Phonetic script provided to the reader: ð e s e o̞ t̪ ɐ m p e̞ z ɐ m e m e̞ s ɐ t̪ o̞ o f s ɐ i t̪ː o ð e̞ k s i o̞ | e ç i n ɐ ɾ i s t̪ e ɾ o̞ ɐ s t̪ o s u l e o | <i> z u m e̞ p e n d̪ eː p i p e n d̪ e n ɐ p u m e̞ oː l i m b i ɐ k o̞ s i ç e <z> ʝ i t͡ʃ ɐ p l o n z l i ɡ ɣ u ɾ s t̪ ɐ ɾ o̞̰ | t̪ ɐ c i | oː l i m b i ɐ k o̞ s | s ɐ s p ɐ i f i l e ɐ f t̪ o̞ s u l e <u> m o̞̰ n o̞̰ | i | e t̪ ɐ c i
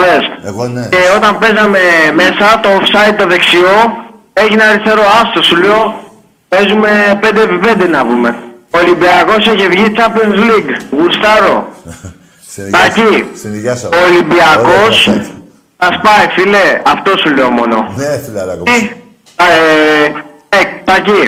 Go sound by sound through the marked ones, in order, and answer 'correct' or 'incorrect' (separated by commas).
incorrect, incorrect, incorrect